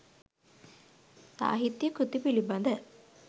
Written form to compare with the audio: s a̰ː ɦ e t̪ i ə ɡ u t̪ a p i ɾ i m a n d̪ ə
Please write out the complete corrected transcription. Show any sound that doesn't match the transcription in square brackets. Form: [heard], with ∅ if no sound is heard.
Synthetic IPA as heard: s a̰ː ɦ [i] t̪ [j] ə [k] u t̪ [i] p i [l] i [b] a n d̪ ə